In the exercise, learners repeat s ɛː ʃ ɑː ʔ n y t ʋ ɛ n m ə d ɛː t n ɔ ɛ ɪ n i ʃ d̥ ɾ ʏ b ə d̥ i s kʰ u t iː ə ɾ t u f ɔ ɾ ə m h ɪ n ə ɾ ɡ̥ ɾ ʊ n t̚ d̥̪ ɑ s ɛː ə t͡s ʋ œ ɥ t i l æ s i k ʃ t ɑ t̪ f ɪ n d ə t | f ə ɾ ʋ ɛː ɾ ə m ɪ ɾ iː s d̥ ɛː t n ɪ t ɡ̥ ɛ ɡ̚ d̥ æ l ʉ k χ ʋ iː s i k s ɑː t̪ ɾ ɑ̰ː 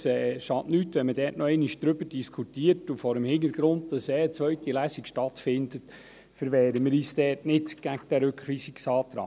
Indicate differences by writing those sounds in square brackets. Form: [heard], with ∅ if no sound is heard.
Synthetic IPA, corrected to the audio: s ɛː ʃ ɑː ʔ n y t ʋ ɛ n m ə d ɛː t n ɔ ɛ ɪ n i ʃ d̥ ɾ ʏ b ə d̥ i s kʰ u t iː ə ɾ t u f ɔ ɾ ə m h ɪ n ə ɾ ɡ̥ ɾ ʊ n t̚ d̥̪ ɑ s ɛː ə t͡s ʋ œ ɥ t i l æ s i k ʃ t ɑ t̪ f ɪ n d ə t | f ə ɾ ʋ ɛː ɾ ə m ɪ ɾ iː s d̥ ɛː t n ɪ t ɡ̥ [æ] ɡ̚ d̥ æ [ɾ] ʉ k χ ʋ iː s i k s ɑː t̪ ɾ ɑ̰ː